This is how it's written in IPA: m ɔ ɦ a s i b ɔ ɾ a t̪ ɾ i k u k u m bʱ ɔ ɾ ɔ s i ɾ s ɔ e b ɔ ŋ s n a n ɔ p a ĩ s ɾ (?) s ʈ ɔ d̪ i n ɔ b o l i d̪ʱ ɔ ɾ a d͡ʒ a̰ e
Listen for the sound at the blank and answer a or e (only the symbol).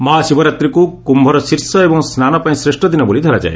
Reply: e